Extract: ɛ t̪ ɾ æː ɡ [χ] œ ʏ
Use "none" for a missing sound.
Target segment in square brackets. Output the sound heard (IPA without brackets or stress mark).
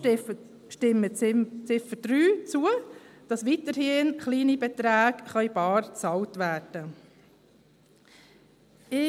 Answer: χ